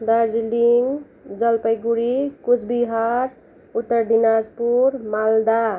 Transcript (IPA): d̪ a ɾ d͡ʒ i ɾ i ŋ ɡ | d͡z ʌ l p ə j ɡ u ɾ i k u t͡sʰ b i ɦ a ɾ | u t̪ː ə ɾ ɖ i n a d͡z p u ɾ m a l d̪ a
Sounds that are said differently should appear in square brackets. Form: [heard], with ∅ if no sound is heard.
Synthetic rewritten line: d̪ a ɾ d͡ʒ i [l] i ŋ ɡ | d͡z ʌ l p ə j ɡ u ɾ i k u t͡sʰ b i ɦ a ɾ | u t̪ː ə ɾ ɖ i n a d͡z p u ɾ m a l d̪ a

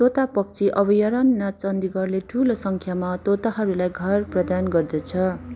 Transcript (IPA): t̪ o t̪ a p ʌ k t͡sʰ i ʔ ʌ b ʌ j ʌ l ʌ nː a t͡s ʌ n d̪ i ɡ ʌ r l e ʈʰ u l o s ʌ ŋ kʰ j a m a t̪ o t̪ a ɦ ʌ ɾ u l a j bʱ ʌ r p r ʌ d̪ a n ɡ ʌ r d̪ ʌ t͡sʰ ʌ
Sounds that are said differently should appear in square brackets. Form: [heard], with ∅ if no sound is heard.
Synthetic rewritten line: t̪ o t̪ a p ʌ k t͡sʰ i ʔ ʌ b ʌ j ʌ [ɾ] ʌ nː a t͡s ʌ n d̪ i ɡ ʌ r l e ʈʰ u l o s ʌ ŋ kʰ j a m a t̪ o t̪ a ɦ ʌ ɾ u l a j [ɡʱ] ʌ r p r ʌ d̪ a n ɡ ʌ r d̪ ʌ t͡sʰ ʌ

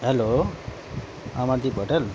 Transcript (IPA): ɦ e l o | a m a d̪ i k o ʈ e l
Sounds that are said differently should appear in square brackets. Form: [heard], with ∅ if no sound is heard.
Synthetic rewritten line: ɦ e l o | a m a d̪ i [p] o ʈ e l

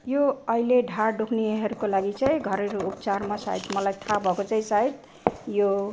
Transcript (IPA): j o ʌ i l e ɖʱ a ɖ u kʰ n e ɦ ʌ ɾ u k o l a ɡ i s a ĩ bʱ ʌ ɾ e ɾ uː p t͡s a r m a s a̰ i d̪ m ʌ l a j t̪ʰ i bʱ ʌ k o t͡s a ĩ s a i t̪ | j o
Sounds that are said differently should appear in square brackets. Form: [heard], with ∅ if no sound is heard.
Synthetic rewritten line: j o ʌ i l e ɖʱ a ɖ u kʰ n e ɦ ʌ ɾ u k o l a ɡ i [t͡s] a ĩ [ɡʱ] ʌ ɾ e ɾ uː p t͡s a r m a s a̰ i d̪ m ʌ l a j t̪ʰ [a] bʱ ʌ k o t͡s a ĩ s a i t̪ | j o

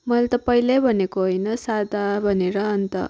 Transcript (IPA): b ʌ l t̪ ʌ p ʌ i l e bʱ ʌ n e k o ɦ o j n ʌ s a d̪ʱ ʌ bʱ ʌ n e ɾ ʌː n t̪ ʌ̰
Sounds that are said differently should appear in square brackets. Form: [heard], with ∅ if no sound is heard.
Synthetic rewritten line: [m] ʌ l t̪ ʌ p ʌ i l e bʱ ʌ n e k o ɦ o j n ʌ s a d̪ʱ [a] bʱ ʌ n e ɾ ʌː n t̪ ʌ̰

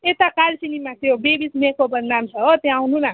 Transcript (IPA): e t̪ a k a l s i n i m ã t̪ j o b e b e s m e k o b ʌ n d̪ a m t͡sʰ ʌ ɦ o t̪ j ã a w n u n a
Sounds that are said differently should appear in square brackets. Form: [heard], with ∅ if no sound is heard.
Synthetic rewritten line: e t̪ a k a l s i n i m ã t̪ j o b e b [i] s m e k o b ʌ n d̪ a m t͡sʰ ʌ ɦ o t̪ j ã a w n u n a

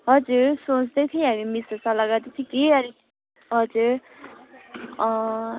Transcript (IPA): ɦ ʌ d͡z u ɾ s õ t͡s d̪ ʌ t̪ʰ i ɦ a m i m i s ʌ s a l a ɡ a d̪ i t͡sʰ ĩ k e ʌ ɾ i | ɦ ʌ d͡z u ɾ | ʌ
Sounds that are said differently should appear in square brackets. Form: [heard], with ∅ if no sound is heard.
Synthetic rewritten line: ɦ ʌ d͡z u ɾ s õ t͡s d̪ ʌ t̪ʰ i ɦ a m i m i s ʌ s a l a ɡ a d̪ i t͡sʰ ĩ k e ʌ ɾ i | ɦ ʌ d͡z u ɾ | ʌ

